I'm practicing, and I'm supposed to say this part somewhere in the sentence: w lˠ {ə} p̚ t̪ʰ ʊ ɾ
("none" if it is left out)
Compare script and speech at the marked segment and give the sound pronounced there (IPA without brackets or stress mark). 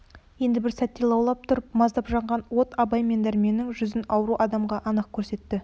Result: ɑ